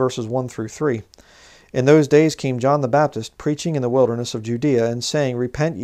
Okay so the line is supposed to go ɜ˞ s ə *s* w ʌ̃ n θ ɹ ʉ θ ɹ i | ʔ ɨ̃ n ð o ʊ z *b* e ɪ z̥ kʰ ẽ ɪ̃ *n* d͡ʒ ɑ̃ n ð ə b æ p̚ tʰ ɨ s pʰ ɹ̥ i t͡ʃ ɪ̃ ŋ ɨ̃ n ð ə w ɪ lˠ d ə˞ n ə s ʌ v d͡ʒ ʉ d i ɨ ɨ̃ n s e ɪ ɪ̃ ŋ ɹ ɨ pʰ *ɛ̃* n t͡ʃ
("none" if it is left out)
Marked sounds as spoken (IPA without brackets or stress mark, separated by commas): z, d, m, ɛ̃